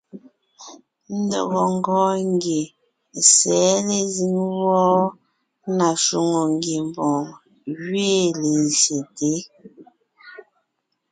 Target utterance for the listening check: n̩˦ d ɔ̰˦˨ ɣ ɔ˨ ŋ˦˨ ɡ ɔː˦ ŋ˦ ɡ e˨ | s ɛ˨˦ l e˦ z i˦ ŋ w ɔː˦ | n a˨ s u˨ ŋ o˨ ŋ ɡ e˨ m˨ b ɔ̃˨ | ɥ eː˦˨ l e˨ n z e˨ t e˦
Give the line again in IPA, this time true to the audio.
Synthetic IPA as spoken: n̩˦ d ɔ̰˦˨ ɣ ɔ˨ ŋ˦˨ ɡ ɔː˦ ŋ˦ ɡ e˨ | s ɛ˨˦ l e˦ z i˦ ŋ w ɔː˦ | n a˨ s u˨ ŋ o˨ ŋ ɡ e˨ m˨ b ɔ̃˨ | ɥ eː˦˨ l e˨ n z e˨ t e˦